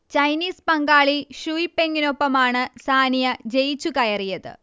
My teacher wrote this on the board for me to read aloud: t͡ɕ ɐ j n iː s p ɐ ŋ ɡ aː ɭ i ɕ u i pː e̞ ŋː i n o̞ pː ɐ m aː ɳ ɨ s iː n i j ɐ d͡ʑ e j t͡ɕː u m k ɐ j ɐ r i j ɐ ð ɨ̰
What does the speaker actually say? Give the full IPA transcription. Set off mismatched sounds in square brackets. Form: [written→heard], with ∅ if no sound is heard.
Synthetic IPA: t͡ɕ ɐ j n iː s p ɐ ŋ ɡ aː ɭ i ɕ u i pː e̞ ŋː i n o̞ pː ɐ m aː ɳ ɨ s [iː→aː] n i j ɐ d͡ʑ e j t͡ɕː u [m→∅] k ɐ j ɐ r i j ɐ ð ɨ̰